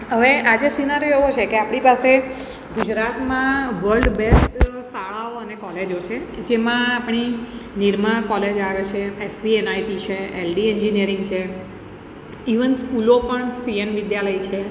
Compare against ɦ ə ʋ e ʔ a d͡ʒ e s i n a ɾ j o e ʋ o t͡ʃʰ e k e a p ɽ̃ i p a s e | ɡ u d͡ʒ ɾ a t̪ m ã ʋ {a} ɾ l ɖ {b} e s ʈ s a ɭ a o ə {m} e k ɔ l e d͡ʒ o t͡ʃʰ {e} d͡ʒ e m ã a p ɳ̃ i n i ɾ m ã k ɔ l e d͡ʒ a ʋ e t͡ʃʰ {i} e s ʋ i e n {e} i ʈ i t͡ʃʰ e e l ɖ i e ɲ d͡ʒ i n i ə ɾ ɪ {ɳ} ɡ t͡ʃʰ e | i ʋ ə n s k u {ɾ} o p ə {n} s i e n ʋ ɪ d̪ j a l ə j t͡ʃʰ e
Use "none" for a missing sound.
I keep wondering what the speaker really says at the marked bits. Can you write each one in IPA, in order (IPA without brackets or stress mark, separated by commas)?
ə, b, n, e, e, a, ŋ, l, ɳ